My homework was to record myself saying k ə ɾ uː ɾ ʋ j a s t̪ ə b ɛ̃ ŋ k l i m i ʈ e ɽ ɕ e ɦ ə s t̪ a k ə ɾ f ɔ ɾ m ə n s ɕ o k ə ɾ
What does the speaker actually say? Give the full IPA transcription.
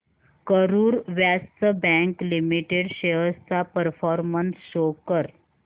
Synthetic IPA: k ə ɾ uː ɾ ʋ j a s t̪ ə b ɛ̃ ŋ k l i m i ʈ e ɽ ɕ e ɦ ə s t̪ a p ə ɾ f ɔ ɾ m ə n s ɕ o k ə ɾ